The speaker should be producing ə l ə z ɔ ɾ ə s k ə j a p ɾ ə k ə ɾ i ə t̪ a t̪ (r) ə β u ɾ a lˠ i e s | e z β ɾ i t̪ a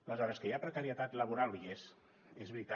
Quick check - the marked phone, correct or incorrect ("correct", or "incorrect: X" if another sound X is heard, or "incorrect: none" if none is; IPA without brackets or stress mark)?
incorrect: l